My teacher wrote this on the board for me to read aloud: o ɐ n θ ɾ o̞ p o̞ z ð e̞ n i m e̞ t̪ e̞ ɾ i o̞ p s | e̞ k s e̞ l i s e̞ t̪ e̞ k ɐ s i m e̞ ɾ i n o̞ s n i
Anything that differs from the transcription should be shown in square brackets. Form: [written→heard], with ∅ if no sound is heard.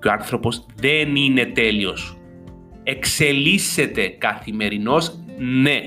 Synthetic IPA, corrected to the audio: o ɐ n θ ɾ o̞ p o̞ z ð e̞ n i [m→n] e̞ t̪ e̞ [ɾ→l] i o̞ [p→∅] s | e̞ k s e̞ l i s e̞ t̪ e̞ k ɐ [s→θ] i m e̞ ɾ i n o̞ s n [i→e]